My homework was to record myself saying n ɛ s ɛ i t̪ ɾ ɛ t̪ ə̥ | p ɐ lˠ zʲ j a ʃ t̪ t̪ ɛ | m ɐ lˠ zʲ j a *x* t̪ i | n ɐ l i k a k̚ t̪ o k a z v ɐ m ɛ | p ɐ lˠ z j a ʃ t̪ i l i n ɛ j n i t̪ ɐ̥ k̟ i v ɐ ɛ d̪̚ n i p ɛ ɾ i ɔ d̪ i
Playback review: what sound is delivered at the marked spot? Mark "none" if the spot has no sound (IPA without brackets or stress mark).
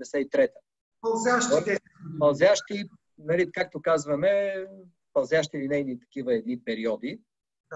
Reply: ʃ